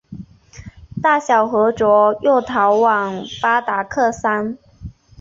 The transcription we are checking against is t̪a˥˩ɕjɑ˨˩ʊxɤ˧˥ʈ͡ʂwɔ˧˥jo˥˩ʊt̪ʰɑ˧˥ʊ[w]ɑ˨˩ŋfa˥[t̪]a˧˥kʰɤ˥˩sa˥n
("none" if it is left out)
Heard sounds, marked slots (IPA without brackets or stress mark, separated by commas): w, t̪